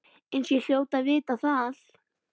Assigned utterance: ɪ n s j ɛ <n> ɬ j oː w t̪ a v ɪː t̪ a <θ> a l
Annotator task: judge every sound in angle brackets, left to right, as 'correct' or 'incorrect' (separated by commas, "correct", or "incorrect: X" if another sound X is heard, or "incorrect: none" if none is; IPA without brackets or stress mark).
incorrect: none, correct